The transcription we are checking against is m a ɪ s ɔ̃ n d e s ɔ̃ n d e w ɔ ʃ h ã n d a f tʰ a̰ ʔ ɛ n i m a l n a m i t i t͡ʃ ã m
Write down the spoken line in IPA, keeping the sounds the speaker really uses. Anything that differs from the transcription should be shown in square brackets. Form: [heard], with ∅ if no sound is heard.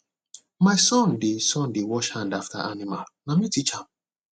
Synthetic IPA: m a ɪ s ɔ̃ n d e s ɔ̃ n d e w ɔ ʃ h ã n d a f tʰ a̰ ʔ [a] n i m a l n a m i t i t͡ʃ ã m